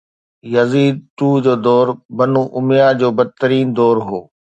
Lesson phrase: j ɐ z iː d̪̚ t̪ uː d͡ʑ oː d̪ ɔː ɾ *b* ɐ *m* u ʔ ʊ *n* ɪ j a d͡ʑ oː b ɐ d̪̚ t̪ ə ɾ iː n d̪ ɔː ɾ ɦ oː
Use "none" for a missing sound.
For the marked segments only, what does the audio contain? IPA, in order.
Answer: b, n, m

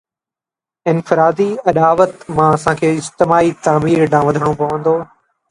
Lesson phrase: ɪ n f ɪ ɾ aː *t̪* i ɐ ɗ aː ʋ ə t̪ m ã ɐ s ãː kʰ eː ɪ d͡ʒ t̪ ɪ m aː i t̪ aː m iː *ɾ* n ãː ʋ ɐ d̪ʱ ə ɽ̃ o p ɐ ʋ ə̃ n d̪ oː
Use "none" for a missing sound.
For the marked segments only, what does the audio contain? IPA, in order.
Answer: d̪, ɾ

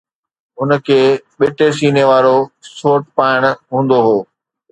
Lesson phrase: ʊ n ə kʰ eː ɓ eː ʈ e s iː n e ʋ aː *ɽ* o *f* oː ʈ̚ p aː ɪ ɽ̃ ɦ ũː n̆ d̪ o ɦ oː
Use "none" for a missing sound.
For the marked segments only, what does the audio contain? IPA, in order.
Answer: ɾ, s

